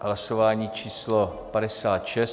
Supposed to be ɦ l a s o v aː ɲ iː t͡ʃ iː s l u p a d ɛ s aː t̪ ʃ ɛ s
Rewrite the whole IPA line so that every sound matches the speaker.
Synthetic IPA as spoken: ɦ l a s o v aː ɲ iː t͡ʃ iː s l o p a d ɛ s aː t̪ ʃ ɛ s